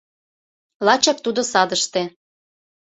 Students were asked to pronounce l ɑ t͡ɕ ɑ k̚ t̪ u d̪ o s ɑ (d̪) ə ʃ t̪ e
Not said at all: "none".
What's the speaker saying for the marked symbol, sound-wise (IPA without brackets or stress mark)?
d̪